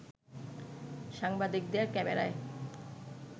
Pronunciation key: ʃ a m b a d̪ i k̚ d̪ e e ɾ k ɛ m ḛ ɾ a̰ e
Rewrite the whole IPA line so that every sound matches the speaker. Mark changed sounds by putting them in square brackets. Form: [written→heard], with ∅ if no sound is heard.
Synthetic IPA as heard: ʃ a [m→ŋ] b a d̪ i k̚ d̪ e [e→a] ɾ k ɛ m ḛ ɾ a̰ e